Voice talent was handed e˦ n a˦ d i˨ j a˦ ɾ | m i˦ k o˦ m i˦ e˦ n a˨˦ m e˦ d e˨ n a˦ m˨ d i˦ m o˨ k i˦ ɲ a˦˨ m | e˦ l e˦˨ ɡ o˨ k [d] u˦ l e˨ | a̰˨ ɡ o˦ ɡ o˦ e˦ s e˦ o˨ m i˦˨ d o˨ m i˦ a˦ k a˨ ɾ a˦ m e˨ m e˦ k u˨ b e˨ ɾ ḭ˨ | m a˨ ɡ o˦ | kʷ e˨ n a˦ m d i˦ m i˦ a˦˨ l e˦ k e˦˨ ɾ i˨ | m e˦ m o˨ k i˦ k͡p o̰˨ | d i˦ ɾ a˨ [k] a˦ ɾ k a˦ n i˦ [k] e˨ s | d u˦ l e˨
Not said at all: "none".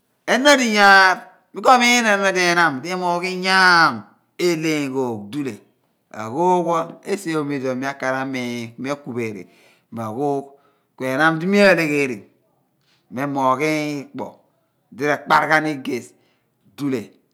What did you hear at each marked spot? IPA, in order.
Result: d, k͡p, ɡ

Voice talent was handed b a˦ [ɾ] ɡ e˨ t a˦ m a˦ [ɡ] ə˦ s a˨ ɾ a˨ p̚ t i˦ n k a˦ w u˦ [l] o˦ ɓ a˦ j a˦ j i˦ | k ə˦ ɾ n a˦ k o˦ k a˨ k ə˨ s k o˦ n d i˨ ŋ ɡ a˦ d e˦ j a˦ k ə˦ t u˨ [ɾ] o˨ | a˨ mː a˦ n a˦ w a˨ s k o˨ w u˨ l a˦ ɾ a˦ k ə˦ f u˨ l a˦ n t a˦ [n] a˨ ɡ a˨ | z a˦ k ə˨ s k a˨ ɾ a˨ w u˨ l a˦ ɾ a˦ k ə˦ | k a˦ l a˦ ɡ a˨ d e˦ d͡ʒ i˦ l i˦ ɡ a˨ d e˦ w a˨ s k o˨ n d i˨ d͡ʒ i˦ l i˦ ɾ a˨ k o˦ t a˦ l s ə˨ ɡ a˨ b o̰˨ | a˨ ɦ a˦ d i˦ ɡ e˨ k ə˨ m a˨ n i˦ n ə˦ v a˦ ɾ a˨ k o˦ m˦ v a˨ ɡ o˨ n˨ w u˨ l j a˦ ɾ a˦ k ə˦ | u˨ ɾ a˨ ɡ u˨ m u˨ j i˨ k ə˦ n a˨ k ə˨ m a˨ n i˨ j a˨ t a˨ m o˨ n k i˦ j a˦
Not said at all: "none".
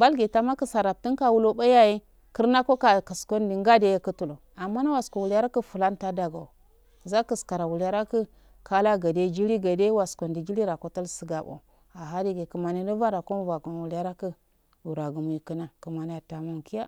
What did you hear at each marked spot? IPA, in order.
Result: l, k, l, l, d

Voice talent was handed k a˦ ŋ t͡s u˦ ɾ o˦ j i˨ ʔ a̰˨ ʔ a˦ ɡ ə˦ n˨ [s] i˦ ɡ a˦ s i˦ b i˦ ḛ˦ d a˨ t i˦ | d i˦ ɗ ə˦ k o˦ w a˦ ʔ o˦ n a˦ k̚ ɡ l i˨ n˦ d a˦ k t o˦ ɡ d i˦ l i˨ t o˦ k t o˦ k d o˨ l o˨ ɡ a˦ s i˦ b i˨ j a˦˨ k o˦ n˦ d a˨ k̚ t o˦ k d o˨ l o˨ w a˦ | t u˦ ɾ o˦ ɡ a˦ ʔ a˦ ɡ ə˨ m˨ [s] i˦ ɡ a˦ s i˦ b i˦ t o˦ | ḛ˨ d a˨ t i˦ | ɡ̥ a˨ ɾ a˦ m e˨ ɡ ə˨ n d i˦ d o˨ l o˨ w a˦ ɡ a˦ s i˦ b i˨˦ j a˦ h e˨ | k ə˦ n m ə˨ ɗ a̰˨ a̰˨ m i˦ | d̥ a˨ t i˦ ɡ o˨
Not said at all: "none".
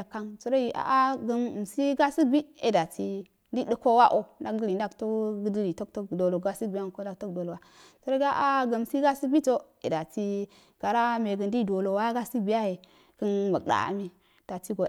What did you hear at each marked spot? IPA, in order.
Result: s, s

